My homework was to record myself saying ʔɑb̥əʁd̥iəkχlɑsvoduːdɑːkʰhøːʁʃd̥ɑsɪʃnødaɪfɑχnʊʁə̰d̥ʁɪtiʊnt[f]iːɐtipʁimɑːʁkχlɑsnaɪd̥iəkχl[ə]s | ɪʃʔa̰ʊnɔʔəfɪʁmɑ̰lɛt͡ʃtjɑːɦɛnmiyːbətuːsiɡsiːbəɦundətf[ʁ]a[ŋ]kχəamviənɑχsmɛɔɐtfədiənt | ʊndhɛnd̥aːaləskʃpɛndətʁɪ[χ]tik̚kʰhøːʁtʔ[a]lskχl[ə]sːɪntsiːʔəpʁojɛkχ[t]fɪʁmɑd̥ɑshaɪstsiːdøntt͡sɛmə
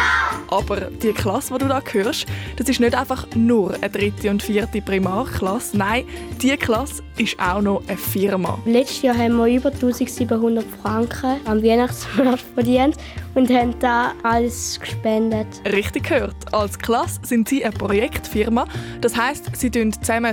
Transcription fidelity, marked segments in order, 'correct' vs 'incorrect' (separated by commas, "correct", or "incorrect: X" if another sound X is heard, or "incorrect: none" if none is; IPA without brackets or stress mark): correct, incorrect: ɑ, correct, correct, correct, incorrect: ɑ, incorrect: ɑ, correct